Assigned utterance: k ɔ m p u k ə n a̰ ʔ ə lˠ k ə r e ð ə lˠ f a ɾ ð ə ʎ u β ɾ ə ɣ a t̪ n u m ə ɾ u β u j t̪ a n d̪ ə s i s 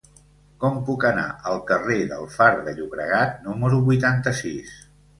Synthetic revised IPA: k ɔ m p u k ə n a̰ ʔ ə lˠ k ə r e ð ə lˠ f a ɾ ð ə ʎ u β ɾ ə ɣ a t̪ n u m ə ɾ u β u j t̪ a n t̪ ə s i s